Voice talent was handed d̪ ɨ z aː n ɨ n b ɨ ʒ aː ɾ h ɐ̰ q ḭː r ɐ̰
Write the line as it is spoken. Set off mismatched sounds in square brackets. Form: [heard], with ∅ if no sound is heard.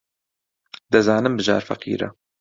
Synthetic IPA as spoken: d̪ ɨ z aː n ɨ [m] b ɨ ʒ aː ɾ [f] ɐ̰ q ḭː [ɾ] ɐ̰